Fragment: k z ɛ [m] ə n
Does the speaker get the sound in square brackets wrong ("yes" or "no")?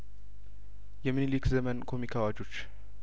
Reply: no